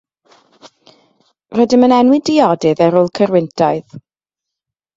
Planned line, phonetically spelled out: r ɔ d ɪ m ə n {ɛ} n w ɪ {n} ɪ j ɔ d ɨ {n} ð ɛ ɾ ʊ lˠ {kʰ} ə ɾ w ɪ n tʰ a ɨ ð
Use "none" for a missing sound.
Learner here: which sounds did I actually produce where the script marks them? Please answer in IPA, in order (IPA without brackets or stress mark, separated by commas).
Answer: ɛ, d, none, kʰ